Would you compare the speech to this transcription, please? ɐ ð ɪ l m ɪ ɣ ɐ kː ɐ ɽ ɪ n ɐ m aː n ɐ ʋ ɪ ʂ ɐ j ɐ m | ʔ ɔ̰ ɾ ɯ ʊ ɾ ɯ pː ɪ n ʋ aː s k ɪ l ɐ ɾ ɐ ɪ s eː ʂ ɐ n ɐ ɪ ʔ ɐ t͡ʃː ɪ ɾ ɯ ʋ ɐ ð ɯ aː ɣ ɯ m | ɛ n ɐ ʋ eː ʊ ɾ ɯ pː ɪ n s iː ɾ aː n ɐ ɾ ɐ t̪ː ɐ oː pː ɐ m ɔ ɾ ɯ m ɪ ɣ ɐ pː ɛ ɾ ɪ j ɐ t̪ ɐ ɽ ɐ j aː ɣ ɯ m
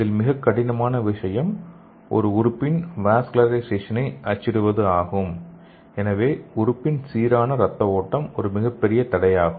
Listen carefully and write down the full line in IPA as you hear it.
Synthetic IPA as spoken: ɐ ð ɪ l m ɪ ɣ ɐ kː ɐ ɽ ɪ n ɐ m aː n ɐ ʋ ɪ ʂ ɐ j ɐ m | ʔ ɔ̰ ɾ ɯ ʊ ɾ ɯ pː ɪ n ʋ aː s k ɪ l ɐ ɾ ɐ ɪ s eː ʂ ɐ n ɐ ɪ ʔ ɐ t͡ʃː ɪ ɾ ɯ ʋ ɐ ð ɯ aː ɣ ɯ m | ɛ n ɐ ʋ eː ʊ ɾ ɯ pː ɪ n s iː ɾ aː n ɐ ɾ ɐ t̪ː ɐ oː ʈː ɐ m ɔ ɾ ɯ m ɪ ɣ ɐ pː ɛ ɾ ɪ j ɐ t̪ ɐ ɽ ɐ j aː ɣ ɯ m

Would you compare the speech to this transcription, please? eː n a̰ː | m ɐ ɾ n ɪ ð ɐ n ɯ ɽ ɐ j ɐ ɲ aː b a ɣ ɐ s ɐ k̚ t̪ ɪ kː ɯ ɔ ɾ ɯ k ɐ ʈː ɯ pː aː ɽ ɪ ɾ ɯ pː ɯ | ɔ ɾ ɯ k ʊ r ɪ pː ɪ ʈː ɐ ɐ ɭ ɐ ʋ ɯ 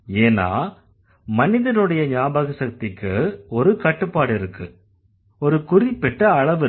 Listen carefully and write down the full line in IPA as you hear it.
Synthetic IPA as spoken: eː n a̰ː | m ɐ n ɪ ð ɐ n ɯ ɽ ɐ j ɐ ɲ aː b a ɣ ɐ s ɐ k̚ t̪ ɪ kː ɯ ɔ ɾ ɯ k ɐ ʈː ɯ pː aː ɽ ɪ ɾ ɯ kː ɯ | ɔ ɾ ɯ k ʊ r ɪ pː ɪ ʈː ɐ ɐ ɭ ɐ ʋ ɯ

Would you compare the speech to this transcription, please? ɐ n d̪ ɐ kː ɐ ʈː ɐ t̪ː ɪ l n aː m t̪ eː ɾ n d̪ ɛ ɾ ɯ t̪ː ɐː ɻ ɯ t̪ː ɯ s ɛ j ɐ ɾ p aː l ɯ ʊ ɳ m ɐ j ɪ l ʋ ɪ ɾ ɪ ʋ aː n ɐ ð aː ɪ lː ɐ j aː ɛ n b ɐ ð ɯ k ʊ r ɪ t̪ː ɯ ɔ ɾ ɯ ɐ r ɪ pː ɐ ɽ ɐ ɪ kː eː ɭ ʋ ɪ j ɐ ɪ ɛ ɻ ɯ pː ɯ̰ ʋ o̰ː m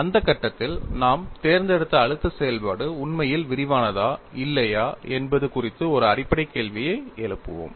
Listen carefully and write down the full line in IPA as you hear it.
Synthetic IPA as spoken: ɐ n d̪ ɐ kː ɐ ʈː ɐ t̪ː ɪ l n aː m t̪ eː ɾ n d̪ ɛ ɽ ɯ t̪ː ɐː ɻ ɯ t̪ː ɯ s ɛ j ɐ l p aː ɽ ɯ ʊ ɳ m ɐ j ɪ l ʋ ɪ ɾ ɪ ʋ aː n ɐ ð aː ɪ lː ɐ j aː ɛ n b ɐ ð ɯ k ʊ r ɪ t̪ː ɯ ɔ ɾ ɯ ɐ r ɪ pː ɐ ɽ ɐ ɪ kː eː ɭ ʋ ɪ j ɐ ɪ ɛ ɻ ɯ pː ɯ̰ ʋ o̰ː m

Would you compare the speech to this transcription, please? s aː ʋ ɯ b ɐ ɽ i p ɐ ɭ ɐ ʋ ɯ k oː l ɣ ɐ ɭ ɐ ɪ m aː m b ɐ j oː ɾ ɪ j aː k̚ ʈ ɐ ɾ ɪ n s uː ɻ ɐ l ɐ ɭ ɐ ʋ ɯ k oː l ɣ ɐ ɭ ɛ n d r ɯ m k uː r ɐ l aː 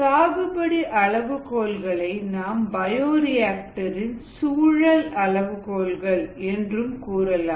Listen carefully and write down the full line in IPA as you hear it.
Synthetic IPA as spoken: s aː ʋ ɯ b ɐ ɽ i ʔ ɐ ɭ ɐ ʋ ɯ k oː l ɣ ɐ ɭ ɐ ɪ n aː m b ɐ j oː ɾ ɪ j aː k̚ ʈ ɐ ɾ ɪ n s uː ɻ ɐ l ɐ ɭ ɐ ʋ ɯ k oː l ɣ ɐ ɭ ɛ n d r ɯ m k uː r ɐ l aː

